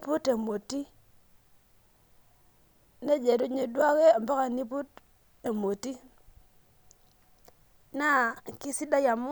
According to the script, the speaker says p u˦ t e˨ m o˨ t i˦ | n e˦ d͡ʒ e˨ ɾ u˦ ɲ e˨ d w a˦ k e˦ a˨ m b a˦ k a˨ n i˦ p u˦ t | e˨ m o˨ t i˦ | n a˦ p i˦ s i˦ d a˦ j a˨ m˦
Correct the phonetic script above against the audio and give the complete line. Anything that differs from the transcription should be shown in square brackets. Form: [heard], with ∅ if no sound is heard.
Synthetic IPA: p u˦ t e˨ m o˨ t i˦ | n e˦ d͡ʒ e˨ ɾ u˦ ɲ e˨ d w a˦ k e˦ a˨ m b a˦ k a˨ n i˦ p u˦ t | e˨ m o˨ t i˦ | n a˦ [k] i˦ s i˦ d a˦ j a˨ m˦